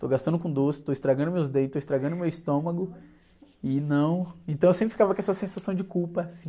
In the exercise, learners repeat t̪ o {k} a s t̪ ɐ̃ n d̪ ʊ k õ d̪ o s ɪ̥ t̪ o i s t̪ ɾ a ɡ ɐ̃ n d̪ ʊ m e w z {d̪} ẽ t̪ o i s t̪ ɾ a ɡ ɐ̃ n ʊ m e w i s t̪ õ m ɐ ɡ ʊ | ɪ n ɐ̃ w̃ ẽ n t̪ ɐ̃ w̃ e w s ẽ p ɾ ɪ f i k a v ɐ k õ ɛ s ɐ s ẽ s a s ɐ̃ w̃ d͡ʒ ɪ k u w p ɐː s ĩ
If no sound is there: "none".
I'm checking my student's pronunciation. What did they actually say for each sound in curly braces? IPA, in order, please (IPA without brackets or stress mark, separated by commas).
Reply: ɡ, d̪